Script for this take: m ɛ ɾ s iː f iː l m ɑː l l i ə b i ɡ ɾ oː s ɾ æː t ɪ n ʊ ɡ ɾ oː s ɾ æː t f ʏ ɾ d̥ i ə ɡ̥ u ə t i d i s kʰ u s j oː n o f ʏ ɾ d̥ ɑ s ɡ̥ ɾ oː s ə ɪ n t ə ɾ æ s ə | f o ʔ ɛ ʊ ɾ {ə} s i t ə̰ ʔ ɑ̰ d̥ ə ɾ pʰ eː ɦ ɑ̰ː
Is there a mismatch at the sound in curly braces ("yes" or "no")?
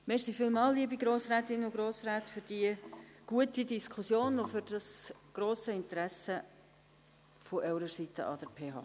no